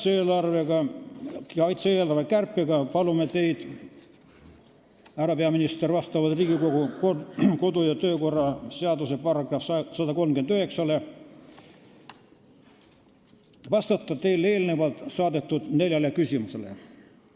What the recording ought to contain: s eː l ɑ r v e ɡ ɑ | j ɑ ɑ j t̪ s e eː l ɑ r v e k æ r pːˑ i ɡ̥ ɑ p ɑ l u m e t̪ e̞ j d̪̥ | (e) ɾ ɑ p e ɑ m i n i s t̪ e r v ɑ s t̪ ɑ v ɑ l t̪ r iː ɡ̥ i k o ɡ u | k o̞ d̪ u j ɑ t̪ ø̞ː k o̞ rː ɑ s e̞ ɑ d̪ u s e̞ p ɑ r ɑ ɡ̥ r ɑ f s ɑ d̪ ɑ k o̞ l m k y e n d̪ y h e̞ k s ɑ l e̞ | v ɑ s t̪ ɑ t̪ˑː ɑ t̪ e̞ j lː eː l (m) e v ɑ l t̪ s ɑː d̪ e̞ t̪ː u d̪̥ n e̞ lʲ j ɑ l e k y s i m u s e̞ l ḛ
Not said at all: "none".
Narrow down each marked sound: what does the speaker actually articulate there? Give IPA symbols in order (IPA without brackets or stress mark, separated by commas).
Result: æ, n